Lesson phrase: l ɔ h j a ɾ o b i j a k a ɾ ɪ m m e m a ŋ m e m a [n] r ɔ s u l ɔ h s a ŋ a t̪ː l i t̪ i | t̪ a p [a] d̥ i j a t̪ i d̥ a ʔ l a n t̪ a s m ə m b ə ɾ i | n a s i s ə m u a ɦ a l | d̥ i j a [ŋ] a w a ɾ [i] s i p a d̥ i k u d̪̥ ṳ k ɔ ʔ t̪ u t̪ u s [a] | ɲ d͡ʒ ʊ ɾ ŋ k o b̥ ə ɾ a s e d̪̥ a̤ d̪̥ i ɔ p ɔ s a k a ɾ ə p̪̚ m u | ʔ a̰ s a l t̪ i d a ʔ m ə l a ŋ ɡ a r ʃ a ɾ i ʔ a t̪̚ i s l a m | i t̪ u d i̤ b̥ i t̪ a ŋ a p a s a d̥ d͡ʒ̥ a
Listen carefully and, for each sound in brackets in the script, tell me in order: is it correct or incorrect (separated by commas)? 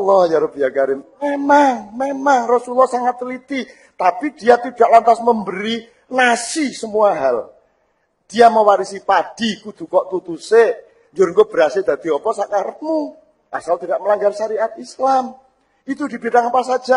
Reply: incorrect, incorrect, incorrect, correct, incorrect